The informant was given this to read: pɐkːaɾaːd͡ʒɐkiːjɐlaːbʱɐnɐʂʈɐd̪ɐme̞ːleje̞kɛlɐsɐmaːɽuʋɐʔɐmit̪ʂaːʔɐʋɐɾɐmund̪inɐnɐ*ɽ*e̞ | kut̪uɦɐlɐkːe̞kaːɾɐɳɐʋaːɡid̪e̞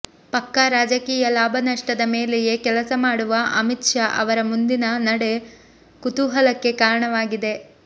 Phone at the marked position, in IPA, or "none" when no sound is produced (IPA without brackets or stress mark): ɽ